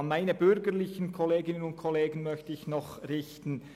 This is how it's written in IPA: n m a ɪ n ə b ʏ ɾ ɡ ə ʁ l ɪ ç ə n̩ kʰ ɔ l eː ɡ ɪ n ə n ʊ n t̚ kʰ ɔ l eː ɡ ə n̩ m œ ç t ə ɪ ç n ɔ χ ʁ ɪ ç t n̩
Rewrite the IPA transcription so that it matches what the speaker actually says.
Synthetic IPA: n m a ɪ n ə b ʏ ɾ ɡ ə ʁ l ɪ ç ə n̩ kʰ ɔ l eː ɡ ɪ n ə n ʊ n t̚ kʰ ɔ l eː ɡ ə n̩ m œ ç t ə ɪ ç n ɔ χ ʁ ɪ ç t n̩